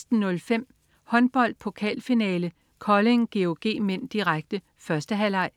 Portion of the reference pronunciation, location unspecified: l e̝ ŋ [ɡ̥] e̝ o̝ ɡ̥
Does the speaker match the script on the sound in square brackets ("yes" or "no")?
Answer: yes